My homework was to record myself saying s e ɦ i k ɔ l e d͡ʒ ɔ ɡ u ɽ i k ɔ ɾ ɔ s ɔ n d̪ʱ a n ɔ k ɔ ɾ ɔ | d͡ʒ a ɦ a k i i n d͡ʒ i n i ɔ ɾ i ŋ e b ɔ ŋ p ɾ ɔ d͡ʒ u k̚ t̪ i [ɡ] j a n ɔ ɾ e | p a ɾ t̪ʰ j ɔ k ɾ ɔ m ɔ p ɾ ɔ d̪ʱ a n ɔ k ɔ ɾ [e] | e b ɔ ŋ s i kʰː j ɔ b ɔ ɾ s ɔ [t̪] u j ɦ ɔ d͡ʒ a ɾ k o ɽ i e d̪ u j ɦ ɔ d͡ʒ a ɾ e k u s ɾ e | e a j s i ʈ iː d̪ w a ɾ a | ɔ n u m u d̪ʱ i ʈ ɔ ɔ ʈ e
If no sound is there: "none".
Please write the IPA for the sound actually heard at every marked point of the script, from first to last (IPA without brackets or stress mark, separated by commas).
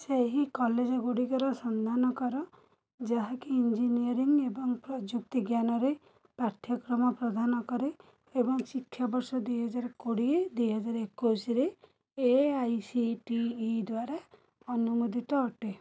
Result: ɡ, e, d̪